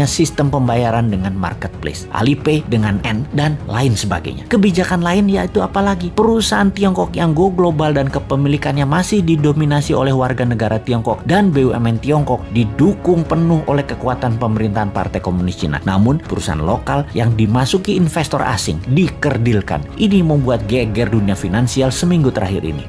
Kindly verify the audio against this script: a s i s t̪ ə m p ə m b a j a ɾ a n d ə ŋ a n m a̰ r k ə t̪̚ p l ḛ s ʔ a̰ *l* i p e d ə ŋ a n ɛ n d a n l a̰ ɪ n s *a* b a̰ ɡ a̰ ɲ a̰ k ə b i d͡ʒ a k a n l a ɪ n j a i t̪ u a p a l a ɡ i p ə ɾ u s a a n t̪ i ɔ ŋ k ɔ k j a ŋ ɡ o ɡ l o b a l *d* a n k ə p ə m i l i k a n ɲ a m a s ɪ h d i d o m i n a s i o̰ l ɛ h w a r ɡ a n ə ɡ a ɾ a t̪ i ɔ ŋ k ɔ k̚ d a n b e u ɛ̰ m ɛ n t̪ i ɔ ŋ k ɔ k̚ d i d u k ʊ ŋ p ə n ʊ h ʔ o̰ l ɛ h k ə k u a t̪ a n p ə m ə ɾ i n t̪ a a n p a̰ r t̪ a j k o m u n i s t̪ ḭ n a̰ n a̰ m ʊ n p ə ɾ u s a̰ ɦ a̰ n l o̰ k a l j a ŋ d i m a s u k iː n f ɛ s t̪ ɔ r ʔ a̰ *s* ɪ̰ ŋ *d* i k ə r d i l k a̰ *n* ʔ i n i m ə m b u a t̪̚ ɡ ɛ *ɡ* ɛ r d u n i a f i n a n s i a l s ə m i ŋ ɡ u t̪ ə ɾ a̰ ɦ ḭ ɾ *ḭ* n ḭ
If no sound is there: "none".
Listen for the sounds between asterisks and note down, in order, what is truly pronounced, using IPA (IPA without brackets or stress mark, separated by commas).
l, ə, d, s, d, n, ɡ, ḭ